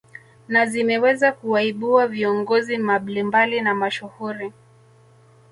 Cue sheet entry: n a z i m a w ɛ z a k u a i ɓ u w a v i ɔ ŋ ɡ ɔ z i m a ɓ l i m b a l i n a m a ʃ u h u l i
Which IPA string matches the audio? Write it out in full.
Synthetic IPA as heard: n a z i m ɛ w ɛ z a k u a i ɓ u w a v i ɔ ŋ ɡ ɔ z i m a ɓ l i m b a l i n a m a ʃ u h u ɾ i